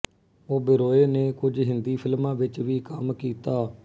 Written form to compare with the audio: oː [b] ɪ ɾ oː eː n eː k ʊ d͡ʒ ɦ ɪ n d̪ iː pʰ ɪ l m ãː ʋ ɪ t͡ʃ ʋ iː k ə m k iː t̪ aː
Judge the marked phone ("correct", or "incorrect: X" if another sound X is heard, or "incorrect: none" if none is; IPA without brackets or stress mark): correct